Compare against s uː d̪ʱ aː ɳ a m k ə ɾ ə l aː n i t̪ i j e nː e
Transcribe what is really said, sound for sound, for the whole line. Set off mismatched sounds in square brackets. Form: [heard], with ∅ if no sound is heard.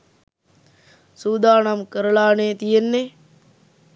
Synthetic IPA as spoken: s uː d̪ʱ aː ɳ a m k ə ɾ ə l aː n [e] t̪ i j e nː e